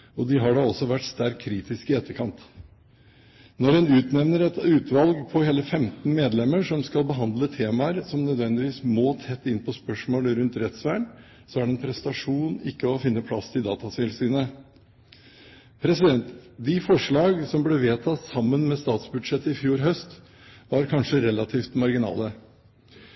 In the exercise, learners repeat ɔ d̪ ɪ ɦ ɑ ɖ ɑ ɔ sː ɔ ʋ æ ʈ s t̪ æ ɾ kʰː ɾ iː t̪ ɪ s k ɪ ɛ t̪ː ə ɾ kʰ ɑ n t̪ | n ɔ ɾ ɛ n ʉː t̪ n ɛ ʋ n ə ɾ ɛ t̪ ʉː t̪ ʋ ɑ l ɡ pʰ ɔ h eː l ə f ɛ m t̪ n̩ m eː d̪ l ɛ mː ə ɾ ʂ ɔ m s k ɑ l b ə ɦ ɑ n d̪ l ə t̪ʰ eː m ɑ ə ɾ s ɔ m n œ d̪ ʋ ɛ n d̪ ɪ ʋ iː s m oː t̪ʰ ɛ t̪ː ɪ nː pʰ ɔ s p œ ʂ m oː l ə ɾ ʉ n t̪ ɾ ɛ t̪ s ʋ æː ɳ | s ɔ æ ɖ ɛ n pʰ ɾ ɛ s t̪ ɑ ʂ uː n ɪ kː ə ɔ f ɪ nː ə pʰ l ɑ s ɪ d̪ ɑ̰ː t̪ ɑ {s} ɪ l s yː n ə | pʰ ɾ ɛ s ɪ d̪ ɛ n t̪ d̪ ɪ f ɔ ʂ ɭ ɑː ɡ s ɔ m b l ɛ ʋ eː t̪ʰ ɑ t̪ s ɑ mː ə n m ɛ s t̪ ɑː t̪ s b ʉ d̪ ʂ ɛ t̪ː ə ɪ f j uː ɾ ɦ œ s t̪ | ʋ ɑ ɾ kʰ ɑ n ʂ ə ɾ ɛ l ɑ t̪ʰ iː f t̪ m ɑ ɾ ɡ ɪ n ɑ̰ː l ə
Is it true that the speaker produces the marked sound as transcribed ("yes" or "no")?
yes